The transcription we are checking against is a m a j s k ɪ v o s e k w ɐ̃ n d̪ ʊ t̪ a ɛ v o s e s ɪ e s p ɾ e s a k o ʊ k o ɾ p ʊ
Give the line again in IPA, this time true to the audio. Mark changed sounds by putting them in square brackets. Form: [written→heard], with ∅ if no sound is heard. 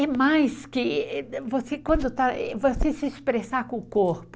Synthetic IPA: [a→ɛ] m a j s k ɪ v o s e k w ɐ̃ n d̪ ʊ t̪ a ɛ v o s e s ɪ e s p ɾ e s a k [o→õ] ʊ k o ɾ p ʊ